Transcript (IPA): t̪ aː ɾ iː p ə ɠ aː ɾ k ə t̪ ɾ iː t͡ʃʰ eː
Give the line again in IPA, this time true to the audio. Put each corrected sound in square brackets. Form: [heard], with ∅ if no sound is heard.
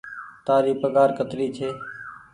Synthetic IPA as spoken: t̪ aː ɾ iː p ə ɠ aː ɾ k ə t̪ ɾ iː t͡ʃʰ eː

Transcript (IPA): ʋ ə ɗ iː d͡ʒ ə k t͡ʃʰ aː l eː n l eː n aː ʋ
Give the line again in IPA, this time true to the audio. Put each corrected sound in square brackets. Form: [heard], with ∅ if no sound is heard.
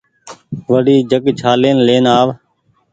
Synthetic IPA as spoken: ʋ ə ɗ iː d͡ʒ ə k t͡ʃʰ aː l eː n l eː n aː ʋ

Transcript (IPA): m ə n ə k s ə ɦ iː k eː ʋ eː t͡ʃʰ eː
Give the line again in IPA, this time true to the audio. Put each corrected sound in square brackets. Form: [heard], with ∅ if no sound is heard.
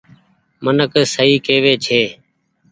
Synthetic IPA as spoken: m ə n ə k s ə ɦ iː k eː ʋ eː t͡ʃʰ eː

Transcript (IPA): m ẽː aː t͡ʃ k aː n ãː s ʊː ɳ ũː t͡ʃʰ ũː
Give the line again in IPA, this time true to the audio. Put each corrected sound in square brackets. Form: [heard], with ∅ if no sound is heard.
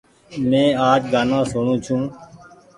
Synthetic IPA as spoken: m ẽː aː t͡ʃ [ɡ] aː n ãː s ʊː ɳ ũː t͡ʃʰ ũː

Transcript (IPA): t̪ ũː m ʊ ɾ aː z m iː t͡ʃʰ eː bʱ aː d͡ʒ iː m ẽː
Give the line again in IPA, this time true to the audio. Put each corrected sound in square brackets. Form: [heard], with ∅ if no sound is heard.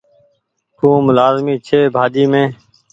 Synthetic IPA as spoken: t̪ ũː m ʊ [l] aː z m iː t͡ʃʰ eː bʱ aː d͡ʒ iː m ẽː

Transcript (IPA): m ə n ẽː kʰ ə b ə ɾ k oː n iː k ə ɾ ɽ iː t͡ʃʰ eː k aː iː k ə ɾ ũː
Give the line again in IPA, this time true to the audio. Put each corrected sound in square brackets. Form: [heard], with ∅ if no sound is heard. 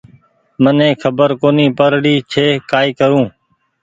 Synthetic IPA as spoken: m ə n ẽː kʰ ə b ə ɾ k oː n iː [p] ə ɾ ɽ iː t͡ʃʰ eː k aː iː k ə ɾ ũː

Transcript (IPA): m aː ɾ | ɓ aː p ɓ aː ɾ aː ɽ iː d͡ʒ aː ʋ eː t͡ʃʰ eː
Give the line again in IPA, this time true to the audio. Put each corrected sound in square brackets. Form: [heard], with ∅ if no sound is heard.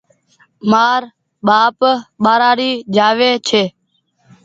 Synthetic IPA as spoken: m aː ɾ | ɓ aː p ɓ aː ɾ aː [ɾ] iː d͡ʒ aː ʋ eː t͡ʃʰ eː

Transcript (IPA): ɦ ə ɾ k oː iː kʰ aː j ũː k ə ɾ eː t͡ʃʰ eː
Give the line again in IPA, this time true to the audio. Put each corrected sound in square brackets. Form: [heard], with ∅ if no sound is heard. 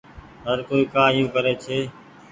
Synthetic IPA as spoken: ɦ ə ɾ k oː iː [k] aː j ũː k ə ɾ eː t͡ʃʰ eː

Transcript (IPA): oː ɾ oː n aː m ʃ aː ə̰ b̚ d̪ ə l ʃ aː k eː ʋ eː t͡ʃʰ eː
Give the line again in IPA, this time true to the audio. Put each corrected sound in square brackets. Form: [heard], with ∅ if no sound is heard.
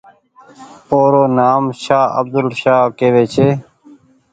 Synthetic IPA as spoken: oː ɾ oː n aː m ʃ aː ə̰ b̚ d̪ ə l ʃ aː k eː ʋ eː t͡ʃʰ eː

